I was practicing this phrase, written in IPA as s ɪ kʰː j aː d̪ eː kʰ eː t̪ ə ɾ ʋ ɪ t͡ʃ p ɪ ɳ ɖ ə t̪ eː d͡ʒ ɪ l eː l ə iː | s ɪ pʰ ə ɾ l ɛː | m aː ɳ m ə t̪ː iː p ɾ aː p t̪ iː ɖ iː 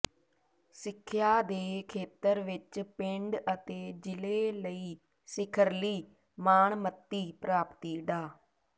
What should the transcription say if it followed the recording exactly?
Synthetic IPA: s ɪ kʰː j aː d̪ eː kʰ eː t̪ ə ɾ ʋ ɪ t͡ʃ p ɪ ɳ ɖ ə t̪ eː d͡ʒ ɪ l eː l ə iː | s ɪ kʰ ə ɾ l iː | m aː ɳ m ə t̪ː iː p ɾ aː p t̪ iː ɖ aː

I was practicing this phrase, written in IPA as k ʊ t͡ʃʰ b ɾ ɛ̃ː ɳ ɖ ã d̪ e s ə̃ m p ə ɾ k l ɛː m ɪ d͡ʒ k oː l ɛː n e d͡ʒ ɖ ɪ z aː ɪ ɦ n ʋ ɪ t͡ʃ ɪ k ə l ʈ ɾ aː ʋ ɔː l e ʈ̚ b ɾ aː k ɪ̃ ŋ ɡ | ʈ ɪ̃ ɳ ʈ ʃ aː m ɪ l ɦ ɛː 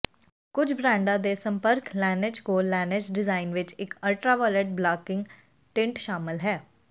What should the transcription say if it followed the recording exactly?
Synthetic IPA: k ʊ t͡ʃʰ b ɾ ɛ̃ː ɳ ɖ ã d̪ e s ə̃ m p ə ɾ k l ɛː n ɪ d͡ʒ k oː l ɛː n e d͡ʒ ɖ ɪ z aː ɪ n ʋ ɪ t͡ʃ ɪ k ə l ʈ ɾ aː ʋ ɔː l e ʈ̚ b l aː k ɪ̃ ŋ ɡ | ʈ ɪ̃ ɳ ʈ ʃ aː m ɪ l ɦ ɛː

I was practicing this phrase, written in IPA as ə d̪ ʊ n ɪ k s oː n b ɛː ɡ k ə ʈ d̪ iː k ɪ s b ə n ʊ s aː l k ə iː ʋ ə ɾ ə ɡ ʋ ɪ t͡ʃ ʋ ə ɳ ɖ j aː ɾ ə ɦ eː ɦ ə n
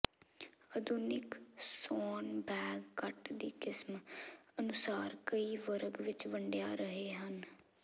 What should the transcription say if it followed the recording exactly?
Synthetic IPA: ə d̪ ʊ n ɪ k s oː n b ɛː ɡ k ə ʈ d̪ iː k ɪ s m ə n ʊ s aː ɾ k ə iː ʋ ə ɾ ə ɡ ʋ ɪ t͡ʃ ʋ ə ɳ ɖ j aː ɾ ə ɦ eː ɦ ə n

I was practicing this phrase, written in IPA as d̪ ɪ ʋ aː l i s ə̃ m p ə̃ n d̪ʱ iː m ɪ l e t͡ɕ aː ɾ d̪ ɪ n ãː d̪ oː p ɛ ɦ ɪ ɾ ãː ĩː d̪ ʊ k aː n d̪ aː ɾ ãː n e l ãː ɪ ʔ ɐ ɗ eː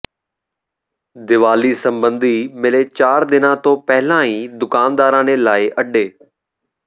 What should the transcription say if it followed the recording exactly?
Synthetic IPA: d̪ ɪ ʋ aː l i s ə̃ m b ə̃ n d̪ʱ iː m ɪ l e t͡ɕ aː ɾ d̪ ɪ n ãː t̪ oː p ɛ ɦ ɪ l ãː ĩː d̪ ʊ k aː n d̪ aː ɾ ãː n e l aː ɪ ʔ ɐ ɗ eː

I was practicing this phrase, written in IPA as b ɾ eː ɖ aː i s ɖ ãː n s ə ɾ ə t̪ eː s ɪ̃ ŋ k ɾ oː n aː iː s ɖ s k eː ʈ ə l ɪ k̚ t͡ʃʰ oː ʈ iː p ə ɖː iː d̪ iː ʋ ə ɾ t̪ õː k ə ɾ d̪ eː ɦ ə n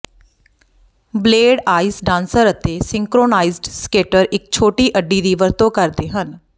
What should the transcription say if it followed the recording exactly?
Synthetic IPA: b l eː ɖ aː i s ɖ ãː n s ə ɾ ə t̪ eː s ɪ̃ ŋ k ɾ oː n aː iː z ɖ s k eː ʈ ə ɾ ɪ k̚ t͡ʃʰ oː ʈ iː ʔ ə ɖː iː d̪ iː ʋ ə ɾ t̪ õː k ə ɾ d̪ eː ɦ ə n

